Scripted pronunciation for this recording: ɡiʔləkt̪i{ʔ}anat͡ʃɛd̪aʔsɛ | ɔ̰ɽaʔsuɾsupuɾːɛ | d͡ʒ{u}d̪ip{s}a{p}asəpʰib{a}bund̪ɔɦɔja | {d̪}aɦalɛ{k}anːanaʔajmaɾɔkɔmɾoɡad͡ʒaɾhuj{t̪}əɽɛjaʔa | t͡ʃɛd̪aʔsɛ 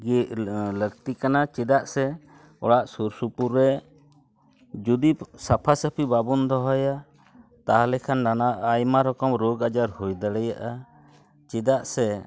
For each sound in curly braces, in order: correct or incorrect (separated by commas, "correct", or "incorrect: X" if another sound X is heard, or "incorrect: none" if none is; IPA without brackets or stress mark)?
incorrect: k, correct, correct, incorrect: pʰ, correct, incorrect: t̪, incorrect: kʰ, incorrect: d̪